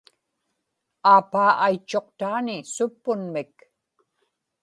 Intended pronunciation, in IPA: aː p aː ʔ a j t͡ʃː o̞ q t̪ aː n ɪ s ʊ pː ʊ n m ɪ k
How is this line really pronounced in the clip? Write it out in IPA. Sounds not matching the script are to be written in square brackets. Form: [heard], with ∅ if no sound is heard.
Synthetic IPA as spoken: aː p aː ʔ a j t͡ʃː o̞ q t̪ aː n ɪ s ʊ pː ʊ n m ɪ k